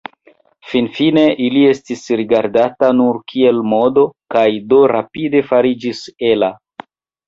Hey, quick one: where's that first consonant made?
lips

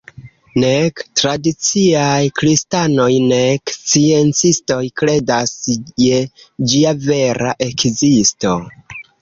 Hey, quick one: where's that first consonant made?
tongue tip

